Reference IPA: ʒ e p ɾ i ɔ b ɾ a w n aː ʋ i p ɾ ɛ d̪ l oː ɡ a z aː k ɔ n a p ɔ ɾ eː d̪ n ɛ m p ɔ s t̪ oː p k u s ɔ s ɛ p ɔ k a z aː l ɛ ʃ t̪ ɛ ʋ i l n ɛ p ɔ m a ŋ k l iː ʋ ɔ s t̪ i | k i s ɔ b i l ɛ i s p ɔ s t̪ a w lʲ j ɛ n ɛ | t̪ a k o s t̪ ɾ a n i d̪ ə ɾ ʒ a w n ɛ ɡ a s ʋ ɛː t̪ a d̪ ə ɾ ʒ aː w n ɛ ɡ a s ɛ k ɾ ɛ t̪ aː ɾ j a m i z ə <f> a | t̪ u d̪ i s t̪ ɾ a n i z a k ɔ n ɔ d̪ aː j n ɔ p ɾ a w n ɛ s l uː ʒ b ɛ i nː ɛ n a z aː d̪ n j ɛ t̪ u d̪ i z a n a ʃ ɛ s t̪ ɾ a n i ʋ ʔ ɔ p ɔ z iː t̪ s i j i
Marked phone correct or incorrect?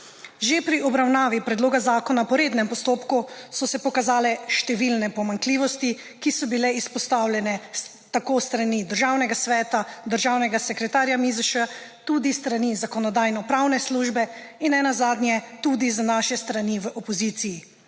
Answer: incorrect: ʃ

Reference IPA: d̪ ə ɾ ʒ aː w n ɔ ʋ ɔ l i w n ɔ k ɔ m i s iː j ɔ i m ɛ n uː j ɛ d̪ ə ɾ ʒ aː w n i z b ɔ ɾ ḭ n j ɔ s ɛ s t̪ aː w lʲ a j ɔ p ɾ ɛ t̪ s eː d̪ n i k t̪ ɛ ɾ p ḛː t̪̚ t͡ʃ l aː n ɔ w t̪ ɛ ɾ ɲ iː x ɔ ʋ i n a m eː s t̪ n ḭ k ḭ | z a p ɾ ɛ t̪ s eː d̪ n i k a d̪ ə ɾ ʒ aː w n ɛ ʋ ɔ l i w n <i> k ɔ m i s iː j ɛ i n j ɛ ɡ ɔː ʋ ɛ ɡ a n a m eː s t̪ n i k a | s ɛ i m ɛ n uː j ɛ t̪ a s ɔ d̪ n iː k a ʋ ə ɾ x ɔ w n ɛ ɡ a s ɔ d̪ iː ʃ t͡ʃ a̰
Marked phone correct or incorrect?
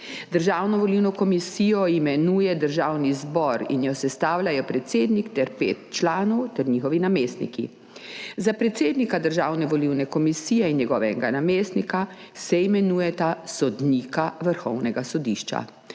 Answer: incorrect: ɛ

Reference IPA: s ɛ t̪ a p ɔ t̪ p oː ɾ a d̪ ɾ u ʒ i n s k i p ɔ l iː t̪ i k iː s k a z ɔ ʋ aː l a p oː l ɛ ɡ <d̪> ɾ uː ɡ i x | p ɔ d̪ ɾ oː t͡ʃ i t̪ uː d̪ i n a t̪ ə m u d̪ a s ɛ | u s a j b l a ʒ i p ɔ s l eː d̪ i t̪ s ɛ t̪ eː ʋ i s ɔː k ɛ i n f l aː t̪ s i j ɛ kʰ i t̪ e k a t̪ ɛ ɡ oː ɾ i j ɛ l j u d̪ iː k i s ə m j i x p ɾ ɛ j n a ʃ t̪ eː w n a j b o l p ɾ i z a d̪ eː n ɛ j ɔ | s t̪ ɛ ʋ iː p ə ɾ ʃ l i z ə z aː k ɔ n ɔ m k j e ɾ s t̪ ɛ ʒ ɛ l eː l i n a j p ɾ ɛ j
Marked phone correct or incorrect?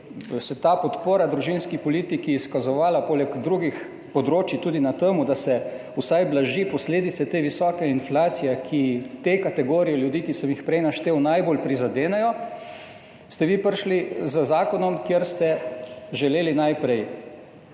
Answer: correct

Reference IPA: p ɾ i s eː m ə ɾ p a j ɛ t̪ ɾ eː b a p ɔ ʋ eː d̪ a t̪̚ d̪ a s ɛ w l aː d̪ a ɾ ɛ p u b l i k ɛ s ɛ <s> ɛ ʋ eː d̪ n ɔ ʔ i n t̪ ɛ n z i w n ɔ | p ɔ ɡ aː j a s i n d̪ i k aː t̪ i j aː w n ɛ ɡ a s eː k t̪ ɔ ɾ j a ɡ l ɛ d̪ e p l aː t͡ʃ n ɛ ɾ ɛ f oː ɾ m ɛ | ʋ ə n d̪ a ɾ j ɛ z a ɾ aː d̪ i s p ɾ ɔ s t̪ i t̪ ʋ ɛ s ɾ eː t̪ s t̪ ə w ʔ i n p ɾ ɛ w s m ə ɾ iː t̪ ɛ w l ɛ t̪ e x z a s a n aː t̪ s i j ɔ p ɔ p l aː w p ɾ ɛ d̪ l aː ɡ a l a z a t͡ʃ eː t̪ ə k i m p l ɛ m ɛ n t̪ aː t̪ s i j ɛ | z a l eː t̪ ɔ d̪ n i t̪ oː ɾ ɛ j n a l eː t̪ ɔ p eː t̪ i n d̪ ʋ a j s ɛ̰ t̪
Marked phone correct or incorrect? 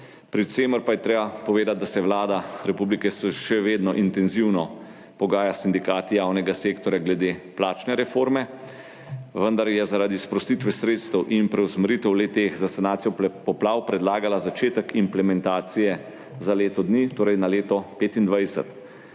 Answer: incorrect: ʃ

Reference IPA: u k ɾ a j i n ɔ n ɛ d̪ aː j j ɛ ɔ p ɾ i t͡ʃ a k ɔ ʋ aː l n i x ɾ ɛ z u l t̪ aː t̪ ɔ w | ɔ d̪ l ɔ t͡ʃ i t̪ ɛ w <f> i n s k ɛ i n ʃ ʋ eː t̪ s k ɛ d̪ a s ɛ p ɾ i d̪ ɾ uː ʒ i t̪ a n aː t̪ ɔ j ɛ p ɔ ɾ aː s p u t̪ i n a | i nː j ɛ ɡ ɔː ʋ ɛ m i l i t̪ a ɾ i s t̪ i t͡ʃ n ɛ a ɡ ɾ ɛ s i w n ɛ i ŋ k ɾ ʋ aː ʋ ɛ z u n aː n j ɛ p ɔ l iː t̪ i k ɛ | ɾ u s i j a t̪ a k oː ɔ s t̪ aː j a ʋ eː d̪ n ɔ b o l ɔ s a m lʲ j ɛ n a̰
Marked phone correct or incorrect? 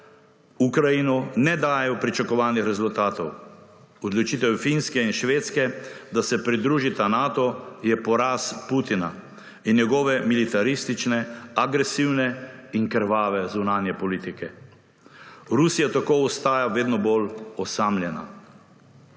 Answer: correct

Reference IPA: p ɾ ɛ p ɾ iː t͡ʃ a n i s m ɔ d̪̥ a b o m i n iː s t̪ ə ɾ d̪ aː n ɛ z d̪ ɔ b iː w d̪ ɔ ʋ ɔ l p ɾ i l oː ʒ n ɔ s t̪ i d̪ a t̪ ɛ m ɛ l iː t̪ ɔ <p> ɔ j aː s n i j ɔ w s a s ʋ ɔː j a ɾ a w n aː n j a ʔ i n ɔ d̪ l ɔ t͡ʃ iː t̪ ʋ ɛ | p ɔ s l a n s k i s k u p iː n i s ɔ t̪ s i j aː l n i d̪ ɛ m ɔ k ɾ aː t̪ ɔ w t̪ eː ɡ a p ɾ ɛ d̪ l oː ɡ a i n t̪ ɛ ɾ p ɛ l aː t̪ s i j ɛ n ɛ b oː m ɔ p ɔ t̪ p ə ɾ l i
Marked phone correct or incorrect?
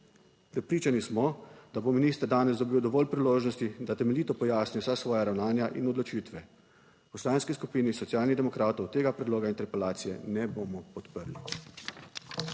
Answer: correct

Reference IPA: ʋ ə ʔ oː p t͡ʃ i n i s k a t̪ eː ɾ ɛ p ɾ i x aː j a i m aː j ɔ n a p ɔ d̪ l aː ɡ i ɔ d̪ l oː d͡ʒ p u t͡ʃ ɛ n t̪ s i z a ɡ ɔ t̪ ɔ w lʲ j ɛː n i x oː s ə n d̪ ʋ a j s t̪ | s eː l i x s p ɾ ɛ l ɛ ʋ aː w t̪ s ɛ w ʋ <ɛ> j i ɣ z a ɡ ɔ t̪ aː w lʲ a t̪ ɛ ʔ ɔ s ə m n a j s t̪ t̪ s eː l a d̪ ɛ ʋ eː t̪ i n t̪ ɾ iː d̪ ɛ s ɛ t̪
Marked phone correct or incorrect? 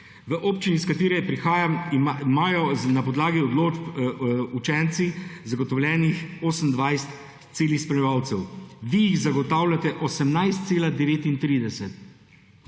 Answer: incorrect: i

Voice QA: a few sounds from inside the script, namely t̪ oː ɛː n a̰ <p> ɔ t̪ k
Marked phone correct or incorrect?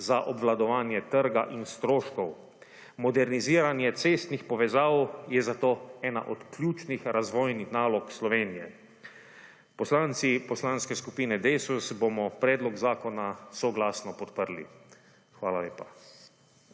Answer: incorrect: ʔ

